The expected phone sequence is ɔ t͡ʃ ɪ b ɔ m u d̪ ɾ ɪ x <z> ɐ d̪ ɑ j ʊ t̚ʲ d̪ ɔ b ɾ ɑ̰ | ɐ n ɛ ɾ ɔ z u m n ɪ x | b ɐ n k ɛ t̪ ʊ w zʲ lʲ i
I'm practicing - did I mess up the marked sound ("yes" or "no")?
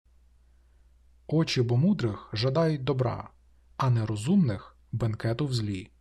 yes